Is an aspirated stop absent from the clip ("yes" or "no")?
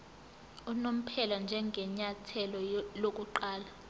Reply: no